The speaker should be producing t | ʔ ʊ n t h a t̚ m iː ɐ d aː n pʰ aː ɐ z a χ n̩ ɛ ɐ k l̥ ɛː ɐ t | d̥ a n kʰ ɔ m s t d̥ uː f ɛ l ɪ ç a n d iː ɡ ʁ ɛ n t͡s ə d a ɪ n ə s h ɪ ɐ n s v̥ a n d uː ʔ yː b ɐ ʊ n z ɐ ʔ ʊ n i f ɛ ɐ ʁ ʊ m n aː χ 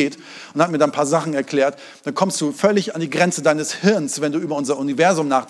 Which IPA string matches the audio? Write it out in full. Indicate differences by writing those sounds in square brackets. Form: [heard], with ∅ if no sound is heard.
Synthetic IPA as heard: t | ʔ ʊ n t h a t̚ m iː ɐ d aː n pʰ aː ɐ z a χ n̩ ɛ ɐ k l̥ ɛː ɐ t | d̥ a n kʰ ɔ m s t d̥ uː f [œ] l ɪ ç a n d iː ɡ ʁ ɛ n t͡s ə d a ɪ n ə s h ɪ ɐ n s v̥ [ɛ] n d uː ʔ yː b ɐ ʊ n z ɐ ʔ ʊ n i [v] ɛ ɐ [z] ʊ m n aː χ